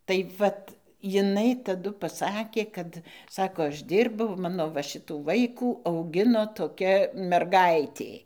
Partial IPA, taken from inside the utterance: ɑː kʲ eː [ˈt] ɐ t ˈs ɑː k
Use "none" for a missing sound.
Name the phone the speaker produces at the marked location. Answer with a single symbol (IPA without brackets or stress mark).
k